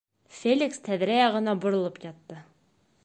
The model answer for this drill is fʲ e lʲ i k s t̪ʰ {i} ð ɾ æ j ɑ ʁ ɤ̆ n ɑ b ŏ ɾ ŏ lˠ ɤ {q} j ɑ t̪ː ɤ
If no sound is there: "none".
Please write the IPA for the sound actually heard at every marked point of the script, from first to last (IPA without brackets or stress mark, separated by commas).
æ, p